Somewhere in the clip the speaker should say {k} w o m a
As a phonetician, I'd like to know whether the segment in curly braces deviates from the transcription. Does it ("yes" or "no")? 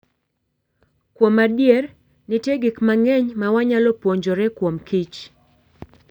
no